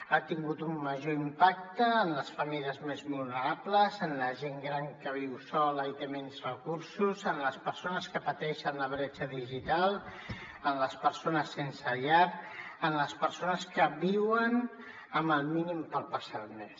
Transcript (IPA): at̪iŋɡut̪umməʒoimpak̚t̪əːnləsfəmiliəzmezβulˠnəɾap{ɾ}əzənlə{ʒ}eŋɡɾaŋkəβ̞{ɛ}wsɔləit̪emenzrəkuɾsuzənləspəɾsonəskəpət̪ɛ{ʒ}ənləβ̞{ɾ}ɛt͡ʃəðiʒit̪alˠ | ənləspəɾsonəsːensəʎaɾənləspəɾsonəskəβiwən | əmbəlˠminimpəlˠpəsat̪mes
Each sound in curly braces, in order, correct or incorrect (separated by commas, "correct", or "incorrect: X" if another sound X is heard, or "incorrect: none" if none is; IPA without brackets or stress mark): incorrect: l, correct, incorrect: i, incorrect: ʃ, correct